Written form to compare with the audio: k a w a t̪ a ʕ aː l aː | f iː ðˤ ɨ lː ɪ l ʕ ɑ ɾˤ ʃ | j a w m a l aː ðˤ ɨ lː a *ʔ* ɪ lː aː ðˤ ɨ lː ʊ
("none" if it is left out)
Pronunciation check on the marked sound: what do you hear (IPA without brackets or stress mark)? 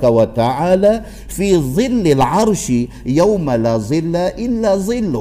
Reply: ʔ